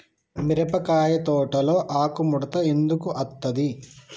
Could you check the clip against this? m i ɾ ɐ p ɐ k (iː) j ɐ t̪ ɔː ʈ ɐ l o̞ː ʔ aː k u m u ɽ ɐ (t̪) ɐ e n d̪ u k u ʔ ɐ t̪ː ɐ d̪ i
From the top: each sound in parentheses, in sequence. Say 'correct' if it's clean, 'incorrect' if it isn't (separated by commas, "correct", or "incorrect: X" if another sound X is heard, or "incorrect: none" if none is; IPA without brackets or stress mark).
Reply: incorrect: aː, correct